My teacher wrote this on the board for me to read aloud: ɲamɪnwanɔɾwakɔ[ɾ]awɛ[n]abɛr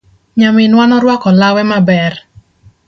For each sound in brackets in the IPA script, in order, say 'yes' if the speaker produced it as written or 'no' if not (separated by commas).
no, no